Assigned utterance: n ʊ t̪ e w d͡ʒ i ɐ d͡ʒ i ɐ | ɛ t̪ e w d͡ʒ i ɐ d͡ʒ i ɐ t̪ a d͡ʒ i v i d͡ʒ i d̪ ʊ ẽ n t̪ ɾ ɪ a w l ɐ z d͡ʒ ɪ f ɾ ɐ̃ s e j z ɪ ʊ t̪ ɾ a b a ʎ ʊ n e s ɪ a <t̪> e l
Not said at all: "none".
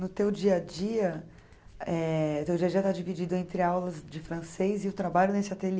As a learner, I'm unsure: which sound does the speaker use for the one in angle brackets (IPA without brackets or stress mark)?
t̪